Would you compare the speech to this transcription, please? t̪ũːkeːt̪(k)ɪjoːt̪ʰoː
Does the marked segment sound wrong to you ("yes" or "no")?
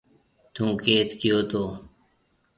no